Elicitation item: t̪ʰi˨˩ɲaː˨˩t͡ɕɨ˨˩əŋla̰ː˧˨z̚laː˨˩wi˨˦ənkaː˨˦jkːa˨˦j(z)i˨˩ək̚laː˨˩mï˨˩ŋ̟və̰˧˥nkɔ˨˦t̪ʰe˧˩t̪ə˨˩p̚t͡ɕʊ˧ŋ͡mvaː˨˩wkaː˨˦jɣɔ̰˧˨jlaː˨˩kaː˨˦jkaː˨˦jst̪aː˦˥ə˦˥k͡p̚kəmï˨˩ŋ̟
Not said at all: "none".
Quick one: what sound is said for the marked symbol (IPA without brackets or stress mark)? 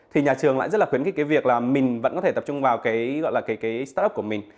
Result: v